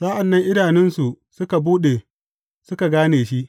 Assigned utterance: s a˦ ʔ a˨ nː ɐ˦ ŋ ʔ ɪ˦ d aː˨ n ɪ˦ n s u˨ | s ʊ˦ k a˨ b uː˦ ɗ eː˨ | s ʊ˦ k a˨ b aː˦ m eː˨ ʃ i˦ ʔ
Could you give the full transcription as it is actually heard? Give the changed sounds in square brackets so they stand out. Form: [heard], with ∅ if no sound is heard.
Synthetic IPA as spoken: s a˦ ʔ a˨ nː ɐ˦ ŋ ʔ ɪ˦ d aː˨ n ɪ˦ n s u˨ | s ʊ˦ k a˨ b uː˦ ɗ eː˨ | s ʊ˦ k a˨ [ɡ] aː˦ [n] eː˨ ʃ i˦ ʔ